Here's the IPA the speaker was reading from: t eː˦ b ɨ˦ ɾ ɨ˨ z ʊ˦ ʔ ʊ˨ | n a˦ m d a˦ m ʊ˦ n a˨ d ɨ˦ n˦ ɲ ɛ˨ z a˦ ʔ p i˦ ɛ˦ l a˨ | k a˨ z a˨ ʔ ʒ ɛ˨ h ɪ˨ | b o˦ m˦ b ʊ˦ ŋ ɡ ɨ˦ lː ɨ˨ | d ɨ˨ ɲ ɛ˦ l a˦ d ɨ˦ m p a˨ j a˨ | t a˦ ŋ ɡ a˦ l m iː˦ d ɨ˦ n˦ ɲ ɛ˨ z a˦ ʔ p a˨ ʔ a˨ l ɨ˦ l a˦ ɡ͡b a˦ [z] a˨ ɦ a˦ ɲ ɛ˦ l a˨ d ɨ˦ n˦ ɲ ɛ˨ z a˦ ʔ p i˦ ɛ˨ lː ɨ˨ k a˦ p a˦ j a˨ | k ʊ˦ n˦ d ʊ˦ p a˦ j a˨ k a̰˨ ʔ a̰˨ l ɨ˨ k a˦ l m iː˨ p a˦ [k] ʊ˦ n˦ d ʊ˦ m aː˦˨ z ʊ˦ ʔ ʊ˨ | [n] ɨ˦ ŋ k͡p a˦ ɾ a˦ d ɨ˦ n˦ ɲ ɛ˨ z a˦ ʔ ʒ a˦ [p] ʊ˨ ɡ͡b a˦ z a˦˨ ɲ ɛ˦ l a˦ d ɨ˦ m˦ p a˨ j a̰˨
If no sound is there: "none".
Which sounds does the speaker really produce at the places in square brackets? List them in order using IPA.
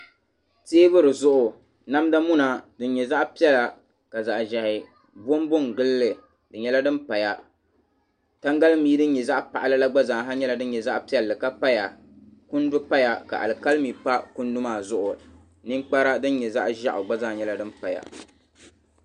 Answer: z, k, n, ʔ

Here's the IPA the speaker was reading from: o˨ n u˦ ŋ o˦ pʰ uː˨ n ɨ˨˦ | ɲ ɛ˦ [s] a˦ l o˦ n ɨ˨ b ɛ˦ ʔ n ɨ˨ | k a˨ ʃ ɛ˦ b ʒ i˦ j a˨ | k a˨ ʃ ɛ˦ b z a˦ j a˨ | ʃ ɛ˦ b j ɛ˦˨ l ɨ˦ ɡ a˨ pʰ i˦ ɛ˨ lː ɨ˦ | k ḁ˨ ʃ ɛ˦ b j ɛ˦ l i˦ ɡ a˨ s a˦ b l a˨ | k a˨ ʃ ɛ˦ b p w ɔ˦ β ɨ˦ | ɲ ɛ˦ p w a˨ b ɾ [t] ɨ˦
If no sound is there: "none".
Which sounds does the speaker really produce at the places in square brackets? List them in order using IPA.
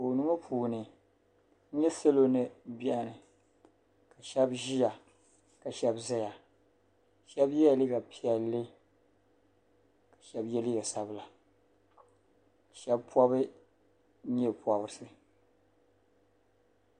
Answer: s, s

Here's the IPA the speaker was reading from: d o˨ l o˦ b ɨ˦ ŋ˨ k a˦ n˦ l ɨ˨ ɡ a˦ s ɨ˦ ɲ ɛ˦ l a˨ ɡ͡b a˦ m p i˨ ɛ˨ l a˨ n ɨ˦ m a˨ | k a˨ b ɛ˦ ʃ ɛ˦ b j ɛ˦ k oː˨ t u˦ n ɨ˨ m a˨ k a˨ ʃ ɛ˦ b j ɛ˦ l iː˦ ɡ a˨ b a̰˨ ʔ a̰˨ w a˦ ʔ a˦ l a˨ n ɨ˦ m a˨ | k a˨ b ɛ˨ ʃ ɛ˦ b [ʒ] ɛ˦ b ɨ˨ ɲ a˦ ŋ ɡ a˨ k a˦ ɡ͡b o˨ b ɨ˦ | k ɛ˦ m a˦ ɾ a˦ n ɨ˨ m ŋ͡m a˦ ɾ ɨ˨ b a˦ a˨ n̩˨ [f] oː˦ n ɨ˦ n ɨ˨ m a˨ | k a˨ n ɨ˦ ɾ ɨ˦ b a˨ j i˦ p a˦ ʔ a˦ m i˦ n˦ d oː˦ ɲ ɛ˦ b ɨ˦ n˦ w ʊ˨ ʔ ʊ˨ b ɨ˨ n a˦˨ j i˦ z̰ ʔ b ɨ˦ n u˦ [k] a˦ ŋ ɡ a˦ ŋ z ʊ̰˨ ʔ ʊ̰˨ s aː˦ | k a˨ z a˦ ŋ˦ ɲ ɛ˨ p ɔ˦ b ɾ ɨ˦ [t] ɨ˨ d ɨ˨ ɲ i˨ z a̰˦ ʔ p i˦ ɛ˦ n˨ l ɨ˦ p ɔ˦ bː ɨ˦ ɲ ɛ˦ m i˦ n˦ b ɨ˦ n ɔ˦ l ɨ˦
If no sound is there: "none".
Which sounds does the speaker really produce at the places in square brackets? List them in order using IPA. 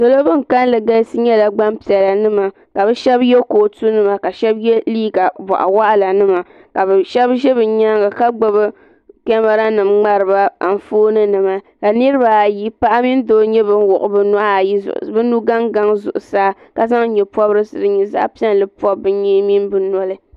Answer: ʒ, f, ɡ, s

